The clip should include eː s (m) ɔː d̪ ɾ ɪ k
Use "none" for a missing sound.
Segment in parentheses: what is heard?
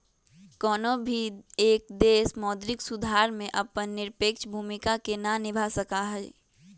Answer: m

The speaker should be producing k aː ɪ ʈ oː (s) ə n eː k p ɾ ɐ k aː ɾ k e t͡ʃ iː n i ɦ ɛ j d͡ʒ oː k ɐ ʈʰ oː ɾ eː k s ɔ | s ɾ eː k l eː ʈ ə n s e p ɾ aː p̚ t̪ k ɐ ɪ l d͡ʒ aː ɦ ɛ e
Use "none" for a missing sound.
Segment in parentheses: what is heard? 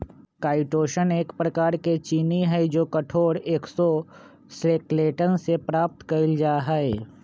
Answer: ʃ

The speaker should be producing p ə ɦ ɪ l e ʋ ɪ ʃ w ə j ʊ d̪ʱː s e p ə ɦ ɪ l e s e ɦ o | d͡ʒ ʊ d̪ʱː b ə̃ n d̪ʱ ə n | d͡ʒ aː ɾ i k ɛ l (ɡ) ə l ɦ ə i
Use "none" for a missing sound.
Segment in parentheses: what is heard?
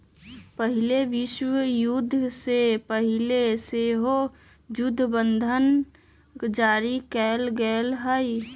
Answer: ɡ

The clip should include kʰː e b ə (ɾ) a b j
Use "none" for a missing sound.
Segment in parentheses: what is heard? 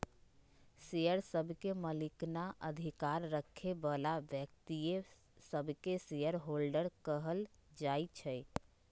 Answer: l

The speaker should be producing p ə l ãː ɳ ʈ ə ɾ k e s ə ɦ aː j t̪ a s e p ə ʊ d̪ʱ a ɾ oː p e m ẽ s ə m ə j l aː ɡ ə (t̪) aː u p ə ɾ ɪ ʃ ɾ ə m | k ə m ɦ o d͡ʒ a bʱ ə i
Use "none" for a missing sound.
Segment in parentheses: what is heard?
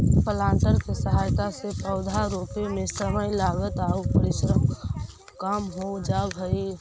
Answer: t̪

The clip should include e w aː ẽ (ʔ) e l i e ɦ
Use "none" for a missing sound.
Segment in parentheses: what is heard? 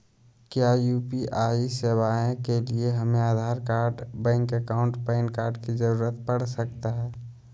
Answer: k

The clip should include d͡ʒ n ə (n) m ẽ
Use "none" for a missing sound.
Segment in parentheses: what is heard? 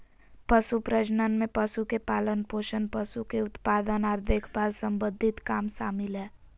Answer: n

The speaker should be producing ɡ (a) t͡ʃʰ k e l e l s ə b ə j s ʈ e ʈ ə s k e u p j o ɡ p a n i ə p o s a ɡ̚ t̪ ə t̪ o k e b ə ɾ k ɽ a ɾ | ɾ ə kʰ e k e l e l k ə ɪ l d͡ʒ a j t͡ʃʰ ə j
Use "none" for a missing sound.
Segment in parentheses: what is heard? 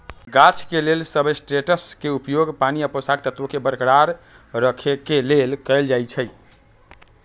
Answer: a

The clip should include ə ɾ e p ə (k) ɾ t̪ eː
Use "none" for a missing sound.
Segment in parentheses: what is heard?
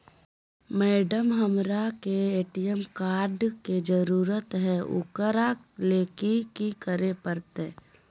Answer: none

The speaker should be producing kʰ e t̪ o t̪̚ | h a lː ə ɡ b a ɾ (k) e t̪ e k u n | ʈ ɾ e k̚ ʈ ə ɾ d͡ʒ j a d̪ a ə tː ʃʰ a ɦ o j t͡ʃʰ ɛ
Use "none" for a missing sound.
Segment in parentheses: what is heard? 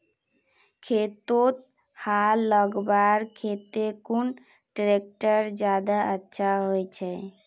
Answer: kʰ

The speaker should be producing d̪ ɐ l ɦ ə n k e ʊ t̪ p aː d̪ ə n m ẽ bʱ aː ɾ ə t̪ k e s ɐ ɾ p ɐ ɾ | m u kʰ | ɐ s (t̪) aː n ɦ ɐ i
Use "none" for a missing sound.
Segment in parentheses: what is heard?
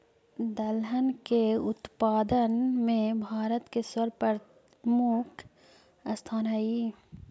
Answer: t̪ʰ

